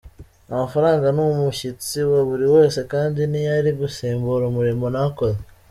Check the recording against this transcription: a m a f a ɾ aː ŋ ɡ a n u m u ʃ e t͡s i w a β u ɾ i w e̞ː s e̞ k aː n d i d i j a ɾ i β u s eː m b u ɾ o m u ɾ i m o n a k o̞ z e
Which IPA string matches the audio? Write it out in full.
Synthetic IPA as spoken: a m a f a ɾ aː ŋ ɡ a n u m u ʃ i t͡s i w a β u ɾ i w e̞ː s e̞ k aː n d i n i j a ɾ i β u s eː m b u ɾ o m u ɾ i m o n a k o̞ z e